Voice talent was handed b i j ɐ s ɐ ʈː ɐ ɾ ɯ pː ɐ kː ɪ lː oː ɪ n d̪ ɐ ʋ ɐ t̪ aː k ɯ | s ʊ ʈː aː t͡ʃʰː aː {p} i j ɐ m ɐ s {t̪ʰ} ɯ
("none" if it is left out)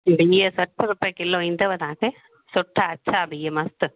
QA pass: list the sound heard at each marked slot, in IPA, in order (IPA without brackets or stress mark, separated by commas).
b, t̪